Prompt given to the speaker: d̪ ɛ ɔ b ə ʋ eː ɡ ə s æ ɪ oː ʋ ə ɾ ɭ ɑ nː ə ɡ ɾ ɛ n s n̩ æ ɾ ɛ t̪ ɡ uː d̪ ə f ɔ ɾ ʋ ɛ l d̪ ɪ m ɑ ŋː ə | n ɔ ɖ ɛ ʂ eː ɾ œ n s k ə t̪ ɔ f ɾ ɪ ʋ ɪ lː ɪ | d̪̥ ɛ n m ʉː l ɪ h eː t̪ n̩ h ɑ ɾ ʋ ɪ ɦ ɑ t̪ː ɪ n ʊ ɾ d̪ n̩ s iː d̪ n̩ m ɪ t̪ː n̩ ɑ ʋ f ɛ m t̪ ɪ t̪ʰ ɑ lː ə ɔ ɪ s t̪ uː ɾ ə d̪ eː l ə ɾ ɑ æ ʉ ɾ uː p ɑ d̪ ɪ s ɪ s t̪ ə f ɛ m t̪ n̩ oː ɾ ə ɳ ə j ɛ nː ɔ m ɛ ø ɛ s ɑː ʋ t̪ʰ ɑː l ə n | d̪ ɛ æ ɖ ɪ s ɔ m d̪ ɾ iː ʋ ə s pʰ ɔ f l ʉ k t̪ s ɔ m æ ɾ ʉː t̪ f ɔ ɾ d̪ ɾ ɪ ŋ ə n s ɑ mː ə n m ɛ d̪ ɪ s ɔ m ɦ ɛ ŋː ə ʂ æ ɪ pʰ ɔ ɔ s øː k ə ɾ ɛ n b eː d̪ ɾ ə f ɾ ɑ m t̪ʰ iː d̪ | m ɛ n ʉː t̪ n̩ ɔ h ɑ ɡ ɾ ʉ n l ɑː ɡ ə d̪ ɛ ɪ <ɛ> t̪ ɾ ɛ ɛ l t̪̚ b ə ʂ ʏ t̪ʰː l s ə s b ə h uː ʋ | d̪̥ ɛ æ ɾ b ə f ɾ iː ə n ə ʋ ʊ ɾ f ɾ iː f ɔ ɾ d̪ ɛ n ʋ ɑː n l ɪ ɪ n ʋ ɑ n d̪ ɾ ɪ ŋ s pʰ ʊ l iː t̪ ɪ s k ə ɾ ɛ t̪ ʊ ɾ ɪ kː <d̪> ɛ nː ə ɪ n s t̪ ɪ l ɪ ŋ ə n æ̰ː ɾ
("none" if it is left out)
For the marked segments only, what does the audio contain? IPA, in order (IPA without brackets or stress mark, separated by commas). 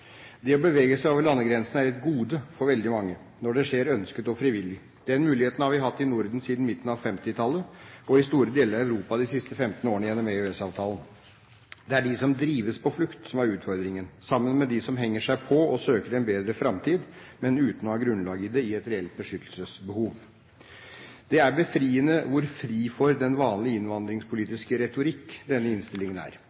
ɛ, d̪